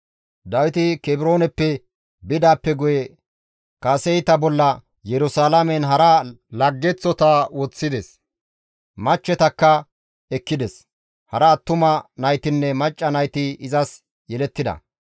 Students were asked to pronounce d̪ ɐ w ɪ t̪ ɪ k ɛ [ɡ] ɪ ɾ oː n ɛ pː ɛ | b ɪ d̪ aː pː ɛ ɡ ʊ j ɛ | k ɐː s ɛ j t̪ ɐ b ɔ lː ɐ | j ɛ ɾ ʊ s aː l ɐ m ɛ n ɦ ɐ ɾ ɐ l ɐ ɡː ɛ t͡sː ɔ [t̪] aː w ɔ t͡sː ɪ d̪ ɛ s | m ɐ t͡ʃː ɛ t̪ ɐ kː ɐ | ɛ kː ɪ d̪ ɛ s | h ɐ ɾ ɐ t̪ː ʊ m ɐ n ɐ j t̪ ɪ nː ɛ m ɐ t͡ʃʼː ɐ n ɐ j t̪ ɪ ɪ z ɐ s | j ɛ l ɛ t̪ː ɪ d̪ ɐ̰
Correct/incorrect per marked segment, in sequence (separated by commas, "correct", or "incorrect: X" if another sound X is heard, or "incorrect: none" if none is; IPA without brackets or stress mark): incorrect: b, correct